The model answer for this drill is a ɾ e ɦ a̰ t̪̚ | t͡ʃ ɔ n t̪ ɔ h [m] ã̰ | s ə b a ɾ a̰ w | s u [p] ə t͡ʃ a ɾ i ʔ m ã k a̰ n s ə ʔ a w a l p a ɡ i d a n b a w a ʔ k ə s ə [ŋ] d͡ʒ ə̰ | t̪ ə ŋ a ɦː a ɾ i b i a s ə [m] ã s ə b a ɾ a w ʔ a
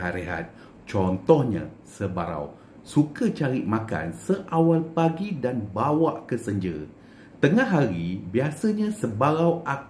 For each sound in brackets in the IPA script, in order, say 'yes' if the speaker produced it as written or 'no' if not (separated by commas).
no, no, no, no